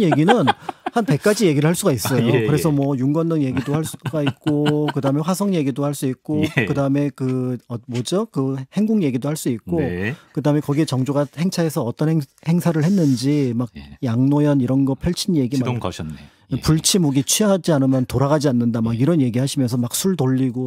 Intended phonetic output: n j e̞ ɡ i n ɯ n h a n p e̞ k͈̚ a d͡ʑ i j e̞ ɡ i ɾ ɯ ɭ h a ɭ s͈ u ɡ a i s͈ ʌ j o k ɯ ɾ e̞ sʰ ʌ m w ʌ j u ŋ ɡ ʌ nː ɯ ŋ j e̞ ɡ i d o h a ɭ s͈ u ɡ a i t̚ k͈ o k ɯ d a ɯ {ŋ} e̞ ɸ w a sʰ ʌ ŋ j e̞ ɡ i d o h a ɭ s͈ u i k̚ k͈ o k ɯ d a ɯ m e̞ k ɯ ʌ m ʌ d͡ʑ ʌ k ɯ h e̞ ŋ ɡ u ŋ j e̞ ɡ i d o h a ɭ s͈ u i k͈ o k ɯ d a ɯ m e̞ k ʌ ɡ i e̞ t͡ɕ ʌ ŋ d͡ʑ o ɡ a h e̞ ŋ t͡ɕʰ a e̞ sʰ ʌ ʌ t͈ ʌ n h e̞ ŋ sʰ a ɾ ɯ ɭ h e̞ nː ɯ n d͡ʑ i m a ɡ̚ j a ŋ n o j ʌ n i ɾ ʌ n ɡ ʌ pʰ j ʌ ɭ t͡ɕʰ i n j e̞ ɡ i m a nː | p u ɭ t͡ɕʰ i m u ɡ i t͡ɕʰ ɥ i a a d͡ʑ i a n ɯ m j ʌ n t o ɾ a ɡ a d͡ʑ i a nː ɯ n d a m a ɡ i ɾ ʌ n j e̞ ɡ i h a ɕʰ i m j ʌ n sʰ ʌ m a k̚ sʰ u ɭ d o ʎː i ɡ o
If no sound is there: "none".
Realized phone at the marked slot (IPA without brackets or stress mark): m